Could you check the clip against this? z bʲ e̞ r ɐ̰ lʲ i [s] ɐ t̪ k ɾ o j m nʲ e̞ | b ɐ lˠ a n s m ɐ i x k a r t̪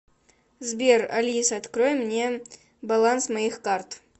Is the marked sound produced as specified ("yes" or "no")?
yes